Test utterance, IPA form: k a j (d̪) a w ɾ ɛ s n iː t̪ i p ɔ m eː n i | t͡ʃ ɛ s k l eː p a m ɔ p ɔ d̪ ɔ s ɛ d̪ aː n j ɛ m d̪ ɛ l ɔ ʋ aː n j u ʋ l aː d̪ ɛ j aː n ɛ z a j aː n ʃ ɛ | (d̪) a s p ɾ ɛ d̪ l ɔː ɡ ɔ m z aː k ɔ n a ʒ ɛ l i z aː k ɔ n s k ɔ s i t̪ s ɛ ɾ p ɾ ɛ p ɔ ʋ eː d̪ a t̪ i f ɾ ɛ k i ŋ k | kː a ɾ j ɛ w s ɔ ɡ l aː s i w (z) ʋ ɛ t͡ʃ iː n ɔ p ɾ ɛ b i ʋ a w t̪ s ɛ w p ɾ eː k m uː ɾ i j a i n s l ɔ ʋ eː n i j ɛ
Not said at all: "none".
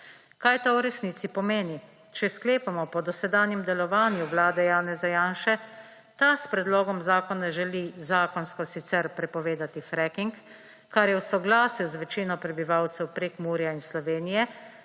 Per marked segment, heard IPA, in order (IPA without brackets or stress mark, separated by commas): t̪, t̪, z